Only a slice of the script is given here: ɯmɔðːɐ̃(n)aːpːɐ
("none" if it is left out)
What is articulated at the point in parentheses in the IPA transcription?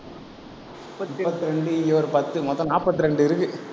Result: n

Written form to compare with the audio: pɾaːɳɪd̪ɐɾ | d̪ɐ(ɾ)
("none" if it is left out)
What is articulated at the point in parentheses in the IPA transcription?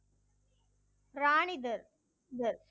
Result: ɾ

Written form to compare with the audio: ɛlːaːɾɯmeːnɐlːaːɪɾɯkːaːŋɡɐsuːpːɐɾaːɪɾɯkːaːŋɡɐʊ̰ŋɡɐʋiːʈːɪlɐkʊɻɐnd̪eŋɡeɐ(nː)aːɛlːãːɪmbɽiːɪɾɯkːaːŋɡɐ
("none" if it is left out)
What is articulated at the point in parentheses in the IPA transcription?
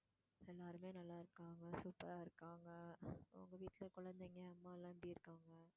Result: mː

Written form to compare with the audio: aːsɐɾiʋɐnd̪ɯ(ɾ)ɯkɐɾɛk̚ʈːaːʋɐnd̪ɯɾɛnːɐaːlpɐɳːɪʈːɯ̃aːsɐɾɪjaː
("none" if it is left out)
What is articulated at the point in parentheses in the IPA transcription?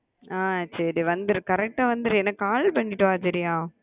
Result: ɾ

